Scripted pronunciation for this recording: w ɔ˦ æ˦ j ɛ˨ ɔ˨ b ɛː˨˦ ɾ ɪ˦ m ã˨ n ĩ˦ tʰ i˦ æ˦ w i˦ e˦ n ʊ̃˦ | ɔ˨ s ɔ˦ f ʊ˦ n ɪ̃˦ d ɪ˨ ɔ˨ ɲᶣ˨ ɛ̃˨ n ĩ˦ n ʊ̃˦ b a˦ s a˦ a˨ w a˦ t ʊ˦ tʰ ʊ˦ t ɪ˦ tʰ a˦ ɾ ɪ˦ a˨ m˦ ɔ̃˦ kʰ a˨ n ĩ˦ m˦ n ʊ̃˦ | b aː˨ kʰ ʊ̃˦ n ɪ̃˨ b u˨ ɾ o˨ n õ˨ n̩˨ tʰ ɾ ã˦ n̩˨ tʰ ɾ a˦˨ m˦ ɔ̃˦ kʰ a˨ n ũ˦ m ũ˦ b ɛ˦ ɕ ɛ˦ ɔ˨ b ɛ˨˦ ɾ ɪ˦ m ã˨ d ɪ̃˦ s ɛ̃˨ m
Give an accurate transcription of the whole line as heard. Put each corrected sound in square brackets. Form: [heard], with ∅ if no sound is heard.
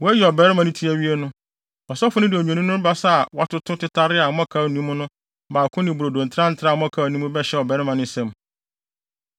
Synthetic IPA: w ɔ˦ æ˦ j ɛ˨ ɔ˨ b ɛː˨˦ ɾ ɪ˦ m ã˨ n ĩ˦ tʰ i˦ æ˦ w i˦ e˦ n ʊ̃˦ | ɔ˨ s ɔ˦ f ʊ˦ n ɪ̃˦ d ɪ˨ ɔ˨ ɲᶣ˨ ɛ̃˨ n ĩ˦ n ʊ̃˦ b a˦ s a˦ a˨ w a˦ t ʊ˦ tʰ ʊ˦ t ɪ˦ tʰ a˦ ɾ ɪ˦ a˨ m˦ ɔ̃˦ kʰ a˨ n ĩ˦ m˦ n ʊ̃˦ | b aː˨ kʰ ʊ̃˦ n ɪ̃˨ b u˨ ɾ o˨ [d] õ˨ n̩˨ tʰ ɾ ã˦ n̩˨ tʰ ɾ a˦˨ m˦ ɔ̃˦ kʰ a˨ n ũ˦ m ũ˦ b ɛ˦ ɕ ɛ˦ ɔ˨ b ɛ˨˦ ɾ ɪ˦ m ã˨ [n] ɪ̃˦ s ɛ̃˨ m